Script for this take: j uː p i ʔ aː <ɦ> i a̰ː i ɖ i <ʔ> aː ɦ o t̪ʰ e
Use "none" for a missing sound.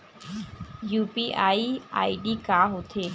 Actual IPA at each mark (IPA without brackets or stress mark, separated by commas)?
none, k